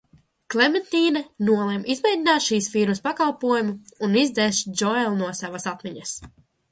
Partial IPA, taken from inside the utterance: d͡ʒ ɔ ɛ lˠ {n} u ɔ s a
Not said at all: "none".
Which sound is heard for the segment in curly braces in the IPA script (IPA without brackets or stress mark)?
n